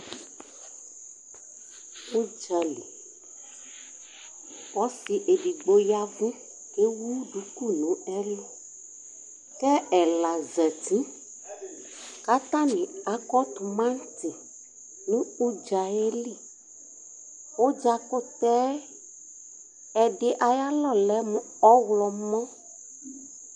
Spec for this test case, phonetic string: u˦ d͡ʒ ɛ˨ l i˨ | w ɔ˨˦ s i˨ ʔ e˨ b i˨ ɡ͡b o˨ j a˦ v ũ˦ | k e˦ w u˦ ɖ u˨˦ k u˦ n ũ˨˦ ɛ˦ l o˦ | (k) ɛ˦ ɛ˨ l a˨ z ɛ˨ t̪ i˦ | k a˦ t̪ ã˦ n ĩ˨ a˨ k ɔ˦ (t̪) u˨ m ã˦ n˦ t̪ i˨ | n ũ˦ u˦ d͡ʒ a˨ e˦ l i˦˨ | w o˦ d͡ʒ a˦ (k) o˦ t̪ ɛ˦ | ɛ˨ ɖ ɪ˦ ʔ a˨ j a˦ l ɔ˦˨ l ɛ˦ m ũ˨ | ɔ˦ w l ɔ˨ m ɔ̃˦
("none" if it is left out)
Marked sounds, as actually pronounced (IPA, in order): k, t̪, k

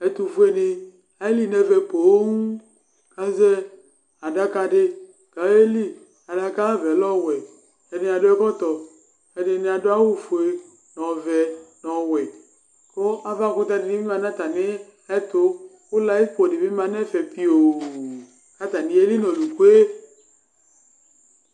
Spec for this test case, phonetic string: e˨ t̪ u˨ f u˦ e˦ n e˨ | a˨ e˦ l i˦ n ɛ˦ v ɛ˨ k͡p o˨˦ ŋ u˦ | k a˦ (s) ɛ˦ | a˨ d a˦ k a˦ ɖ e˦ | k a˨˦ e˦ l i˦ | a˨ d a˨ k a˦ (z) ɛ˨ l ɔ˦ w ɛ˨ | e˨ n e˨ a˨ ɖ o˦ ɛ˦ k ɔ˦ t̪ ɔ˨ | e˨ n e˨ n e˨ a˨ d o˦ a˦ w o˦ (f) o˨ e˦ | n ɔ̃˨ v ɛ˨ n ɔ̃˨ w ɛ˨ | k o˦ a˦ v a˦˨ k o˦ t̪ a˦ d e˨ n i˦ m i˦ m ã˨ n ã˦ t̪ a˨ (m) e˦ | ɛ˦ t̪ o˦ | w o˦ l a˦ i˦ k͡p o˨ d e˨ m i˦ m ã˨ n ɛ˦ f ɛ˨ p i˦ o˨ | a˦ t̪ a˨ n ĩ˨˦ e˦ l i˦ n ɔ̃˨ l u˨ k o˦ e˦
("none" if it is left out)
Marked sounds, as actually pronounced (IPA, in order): z, v, f, n

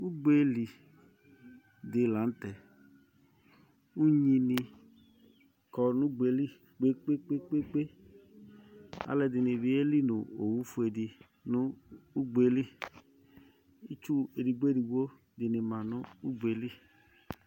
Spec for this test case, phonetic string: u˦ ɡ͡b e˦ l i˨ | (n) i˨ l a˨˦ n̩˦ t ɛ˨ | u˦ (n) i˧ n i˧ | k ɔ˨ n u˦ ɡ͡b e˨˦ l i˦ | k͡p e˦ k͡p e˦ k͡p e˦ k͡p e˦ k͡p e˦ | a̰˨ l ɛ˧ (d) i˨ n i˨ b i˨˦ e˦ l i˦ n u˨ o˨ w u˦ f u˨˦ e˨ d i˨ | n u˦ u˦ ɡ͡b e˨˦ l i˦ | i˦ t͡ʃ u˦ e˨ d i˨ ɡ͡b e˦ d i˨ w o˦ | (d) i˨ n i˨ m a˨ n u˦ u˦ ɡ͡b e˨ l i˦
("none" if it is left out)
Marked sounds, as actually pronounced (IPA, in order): d, ɲ, d, d

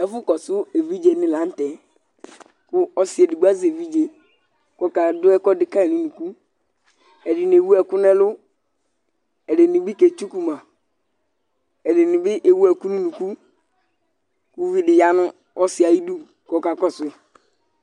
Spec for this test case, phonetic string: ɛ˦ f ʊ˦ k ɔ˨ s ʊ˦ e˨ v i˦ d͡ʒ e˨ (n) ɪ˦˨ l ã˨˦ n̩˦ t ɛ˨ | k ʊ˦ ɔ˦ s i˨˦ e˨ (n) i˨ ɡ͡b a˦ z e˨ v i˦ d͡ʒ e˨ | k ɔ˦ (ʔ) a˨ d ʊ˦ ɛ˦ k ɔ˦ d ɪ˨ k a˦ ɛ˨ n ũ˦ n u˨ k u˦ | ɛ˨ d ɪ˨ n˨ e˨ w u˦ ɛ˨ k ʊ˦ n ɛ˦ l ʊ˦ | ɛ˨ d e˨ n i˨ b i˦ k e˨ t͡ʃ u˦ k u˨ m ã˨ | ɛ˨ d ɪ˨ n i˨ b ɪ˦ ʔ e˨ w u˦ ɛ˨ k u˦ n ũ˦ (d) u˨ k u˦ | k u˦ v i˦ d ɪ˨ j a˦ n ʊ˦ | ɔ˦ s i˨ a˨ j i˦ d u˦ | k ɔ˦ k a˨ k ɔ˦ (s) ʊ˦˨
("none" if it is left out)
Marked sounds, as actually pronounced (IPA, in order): n, d, k, n, s

